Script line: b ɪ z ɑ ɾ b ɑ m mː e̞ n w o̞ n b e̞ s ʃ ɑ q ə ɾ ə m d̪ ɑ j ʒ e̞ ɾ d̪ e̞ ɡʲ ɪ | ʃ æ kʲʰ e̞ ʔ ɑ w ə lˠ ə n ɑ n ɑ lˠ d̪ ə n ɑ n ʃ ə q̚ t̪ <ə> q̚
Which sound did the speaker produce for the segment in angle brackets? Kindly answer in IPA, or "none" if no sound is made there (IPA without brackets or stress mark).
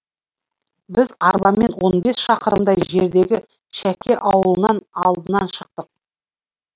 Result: ə